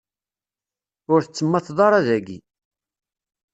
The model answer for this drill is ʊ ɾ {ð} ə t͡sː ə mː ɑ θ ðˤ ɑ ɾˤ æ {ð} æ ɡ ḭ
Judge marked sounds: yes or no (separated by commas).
no, yes